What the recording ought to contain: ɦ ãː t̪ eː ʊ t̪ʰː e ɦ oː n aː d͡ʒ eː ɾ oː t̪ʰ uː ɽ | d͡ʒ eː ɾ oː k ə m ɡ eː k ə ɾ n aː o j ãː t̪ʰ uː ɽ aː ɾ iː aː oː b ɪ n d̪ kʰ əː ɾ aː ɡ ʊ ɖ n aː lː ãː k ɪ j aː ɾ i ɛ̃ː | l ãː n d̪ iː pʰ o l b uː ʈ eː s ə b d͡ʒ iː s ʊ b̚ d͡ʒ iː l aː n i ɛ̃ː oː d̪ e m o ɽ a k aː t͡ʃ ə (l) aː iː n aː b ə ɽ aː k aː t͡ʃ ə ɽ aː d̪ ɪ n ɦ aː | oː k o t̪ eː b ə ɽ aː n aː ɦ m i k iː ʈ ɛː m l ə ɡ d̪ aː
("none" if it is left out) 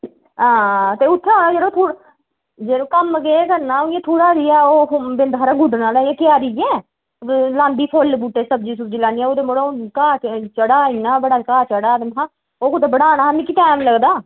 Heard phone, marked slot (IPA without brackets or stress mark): ɽ